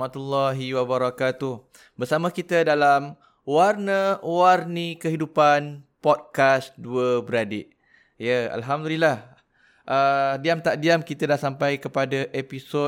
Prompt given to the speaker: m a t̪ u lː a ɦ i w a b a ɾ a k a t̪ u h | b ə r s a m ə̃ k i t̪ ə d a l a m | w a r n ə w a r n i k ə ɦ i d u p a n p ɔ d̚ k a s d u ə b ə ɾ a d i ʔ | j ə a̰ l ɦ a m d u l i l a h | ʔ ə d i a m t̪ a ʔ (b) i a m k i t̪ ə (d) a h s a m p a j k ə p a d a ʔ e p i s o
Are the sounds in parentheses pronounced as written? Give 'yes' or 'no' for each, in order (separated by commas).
no, yes